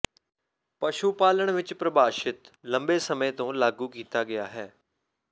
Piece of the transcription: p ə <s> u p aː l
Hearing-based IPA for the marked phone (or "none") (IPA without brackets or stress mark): ʃ